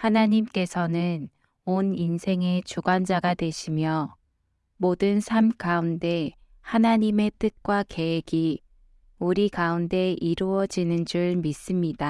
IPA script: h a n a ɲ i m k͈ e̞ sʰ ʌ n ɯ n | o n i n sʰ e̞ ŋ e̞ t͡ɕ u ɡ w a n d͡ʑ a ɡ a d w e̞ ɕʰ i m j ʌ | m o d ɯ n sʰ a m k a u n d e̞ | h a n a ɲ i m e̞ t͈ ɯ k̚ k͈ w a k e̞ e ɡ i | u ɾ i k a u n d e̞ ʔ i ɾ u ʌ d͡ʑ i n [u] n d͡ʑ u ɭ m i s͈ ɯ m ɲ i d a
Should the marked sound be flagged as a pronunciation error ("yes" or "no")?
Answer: yes